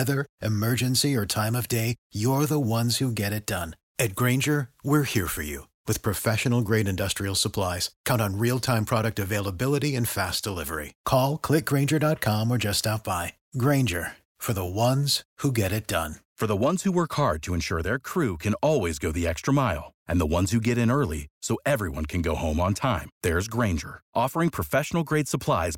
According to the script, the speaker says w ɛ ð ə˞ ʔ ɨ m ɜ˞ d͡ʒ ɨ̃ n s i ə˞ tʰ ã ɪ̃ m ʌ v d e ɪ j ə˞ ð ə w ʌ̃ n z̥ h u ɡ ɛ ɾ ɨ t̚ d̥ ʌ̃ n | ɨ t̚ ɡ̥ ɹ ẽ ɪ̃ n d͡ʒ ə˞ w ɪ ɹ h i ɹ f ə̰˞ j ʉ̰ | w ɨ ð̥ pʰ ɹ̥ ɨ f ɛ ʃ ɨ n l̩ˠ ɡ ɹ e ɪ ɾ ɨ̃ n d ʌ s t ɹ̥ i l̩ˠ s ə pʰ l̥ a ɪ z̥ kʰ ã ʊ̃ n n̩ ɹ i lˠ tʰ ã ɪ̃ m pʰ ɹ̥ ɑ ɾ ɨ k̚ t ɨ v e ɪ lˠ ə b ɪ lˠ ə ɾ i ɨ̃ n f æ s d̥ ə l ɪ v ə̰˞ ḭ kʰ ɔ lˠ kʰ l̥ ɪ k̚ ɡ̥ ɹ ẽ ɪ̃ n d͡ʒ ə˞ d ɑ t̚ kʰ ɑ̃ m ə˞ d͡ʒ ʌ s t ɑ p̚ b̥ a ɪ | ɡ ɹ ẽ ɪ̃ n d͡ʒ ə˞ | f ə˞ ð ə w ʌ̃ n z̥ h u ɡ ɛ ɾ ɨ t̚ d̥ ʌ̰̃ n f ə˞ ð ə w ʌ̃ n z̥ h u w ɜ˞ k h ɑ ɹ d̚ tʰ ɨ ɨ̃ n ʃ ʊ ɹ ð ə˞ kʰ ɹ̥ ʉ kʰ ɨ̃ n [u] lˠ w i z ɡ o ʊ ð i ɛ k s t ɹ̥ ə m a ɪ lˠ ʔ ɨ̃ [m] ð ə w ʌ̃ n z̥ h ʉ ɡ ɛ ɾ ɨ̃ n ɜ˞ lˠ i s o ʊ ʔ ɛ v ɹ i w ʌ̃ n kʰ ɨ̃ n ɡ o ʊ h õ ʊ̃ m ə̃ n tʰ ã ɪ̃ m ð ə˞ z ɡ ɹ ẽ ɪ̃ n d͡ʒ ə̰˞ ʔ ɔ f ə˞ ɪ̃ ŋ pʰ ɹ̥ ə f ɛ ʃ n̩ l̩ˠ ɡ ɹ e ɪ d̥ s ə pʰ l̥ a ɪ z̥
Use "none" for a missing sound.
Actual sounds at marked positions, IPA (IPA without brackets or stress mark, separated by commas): ɔ, n